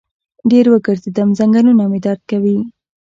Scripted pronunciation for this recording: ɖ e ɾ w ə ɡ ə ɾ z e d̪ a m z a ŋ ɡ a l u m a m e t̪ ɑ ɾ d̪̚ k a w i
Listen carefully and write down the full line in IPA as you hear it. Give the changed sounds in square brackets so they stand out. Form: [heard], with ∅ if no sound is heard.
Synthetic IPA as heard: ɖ e ɾ w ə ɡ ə ɾ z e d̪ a m z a ŋ ɡ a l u [n] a m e [d̪] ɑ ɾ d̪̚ k a w i

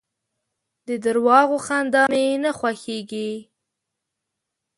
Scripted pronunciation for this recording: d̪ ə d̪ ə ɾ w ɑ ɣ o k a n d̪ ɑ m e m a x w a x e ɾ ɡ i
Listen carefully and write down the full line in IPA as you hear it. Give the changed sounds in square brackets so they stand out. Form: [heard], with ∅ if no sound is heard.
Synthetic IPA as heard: d̪ ə d̪ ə ɾ w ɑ ɣ o [x] a n d̪ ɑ m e [n] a x w a x e [∅] ɡ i

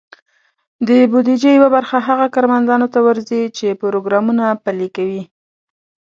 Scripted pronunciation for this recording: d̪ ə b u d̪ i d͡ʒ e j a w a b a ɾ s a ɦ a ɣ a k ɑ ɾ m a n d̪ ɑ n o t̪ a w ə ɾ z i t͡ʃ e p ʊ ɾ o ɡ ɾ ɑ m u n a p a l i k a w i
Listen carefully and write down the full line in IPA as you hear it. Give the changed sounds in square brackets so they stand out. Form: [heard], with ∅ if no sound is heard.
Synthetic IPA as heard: d̪ ə b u d̪ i d͡ʒ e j a w a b a ɾ [x] a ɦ a ɣ a k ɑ ɾ m a n d̪ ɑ n o t̪ a w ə ɾ z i t͡ʃ e p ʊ ɾ o ɡ ɾ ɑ m u n a p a l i k a w i

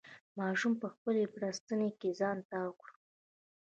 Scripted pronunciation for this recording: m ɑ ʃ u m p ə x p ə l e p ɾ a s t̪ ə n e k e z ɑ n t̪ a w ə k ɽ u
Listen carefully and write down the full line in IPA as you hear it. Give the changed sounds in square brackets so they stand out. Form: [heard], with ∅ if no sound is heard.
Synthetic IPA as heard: m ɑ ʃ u m p ə x p ə l e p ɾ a s t̪ ə n e k e z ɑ n t̪ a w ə k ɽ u

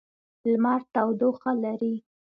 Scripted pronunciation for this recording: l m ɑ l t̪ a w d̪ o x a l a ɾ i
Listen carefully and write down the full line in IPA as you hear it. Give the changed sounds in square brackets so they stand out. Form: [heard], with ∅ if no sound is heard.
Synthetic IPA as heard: l m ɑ [ɾ] t̪ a w d̪ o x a l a ɾ i

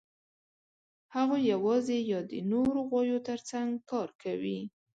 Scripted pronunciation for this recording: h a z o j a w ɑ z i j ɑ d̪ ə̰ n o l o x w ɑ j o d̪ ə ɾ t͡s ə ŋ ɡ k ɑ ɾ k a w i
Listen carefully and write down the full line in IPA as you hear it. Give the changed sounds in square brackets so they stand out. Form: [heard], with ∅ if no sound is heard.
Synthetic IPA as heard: h a [ɣ] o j a w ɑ z [e] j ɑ d̪ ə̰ n o [ɾ] o [ɣ] w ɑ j o [t̪] ə ɾ t͡s [a] ŋ ɡ k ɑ ɾ k a w i

